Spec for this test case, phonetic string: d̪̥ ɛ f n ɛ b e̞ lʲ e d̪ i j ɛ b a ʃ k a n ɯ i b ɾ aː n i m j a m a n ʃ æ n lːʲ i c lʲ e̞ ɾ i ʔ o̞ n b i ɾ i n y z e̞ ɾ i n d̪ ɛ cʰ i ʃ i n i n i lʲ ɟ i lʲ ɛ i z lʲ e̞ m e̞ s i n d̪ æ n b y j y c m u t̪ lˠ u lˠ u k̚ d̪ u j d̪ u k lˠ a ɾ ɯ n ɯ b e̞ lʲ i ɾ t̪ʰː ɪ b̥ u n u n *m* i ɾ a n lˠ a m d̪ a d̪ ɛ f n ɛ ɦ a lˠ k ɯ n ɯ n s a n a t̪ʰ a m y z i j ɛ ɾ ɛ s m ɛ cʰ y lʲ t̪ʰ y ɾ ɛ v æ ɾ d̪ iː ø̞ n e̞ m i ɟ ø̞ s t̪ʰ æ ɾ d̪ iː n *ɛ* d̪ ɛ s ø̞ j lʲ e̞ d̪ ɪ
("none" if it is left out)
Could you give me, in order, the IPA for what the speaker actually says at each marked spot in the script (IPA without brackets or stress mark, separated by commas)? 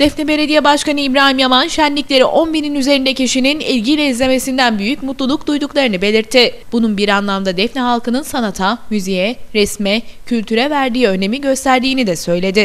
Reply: b, i